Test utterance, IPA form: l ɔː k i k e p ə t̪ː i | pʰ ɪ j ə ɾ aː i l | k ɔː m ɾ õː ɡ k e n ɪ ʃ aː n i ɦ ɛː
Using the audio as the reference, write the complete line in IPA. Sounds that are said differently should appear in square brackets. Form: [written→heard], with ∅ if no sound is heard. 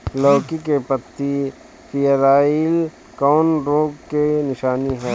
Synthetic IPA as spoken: l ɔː k i k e p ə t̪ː i | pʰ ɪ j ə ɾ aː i l | k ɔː [m→n] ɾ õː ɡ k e n ɪ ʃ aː n i ɦ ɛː